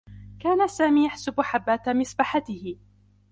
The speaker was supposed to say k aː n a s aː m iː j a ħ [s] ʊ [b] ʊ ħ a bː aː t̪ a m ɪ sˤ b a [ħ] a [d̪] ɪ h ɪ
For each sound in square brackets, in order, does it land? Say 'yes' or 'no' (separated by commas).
yes, yes, yes, no